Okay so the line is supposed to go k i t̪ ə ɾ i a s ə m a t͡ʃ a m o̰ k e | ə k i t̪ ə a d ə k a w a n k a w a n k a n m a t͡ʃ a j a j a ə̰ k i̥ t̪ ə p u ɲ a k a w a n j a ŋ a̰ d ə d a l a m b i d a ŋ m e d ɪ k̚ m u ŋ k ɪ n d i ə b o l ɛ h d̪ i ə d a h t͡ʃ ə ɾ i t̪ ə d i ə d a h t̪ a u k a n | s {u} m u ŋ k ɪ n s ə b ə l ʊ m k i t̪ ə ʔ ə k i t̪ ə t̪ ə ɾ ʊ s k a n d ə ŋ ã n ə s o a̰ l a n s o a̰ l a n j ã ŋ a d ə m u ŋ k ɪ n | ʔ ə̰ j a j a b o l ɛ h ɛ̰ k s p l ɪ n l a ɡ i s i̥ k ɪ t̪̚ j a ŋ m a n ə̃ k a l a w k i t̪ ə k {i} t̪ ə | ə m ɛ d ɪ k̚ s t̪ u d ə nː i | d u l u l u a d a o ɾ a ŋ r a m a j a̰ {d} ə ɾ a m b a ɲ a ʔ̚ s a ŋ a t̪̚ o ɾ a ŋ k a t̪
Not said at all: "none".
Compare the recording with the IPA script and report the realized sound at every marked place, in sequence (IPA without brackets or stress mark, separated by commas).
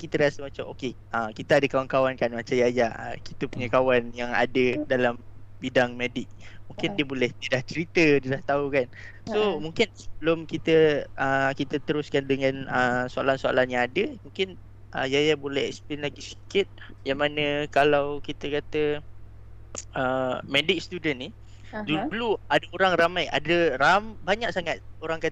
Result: o, a, d